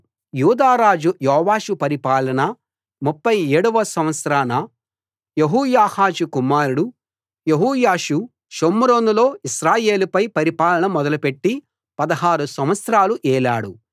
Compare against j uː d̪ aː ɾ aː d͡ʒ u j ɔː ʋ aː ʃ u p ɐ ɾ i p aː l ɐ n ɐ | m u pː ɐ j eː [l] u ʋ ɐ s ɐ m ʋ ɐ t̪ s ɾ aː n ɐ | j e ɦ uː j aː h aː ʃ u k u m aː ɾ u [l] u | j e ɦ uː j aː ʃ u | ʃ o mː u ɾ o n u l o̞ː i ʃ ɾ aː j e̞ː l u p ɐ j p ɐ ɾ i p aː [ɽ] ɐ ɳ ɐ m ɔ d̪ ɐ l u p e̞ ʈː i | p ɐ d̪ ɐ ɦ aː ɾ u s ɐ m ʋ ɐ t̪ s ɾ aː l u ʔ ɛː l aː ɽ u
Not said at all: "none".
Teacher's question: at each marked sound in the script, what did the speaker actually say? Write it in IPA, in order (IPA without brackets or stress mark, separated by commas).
ɽ, ɽ, l